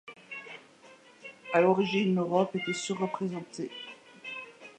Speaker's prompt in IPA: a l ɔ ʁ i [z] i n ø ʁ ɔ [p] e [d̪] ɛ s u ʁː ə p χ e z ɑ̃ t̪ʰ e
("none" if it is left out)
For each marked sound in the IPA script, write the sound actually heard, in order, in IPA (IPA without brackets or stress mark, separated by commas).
ʒ, p, t̪